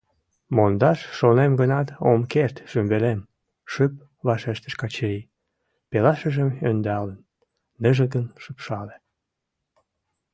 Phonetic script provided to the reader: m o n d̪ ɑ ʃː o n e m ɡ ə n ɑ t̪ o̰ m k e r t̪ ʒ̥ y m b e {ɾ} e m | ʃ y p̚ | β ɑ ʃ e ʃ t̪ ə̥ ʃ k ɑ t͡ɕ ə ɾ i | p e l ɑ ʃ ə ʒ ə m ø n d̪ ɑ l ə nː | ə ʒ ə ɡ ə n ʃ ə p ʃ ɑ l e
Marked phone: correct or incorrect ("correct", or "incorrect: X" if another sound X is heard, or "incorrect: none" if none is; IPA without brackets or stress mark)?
incorrect: l